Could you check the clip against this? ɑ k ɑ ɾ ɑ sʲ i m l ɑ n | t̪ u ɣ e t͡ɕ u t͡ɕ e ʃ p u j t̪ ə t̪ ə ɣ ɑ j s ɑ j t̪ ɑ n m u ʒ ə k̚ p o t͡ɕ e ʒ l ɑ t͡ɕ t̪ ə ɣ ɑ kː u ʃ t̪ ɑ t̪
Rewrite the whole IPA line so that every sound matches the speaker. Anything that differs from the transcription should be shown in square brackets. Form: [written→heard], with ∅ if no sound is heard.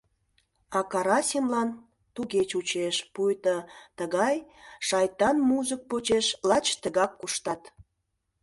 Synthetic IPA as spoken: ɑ k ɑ ɾ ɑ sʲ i m l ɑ n | t̪ u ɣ e t͡ɕ u t͡ɕ e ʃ p u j t̪ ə t̪ ə ɣ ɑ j [s→ʃ] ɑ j t̪ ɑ n m u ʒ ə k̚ p o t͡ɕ e [ʒ→ʃ] l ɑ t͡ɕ t̪ ə ɣ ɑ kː u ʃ t̪ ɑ t̪